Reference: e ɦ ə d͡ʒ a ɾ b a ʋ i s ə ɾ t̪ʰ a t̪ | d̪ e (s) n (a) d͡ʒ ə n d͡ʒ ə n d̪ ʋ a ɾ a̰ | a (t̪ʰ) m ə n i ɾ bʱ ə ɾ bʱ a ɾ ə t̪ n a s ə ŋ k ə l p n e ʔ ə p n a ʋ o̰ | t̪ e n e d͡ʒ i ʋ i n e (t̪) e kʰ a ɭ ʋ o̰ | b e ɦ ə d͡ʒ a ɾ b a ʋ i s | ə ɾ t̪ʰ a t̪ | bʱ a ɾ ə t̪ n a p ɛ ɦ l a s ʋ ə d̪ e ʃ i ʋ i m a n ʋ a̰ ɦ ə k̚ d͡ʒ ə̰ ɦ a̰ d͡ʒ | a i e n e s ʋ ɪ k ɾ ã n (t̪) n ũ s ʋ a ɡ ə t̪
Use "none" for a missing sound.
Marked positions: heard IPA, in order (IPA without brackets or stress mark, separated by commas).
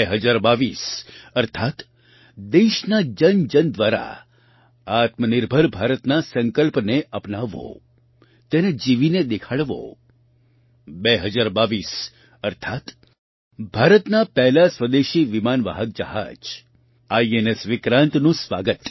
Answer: ʃ, a, t̪, d̪, t̪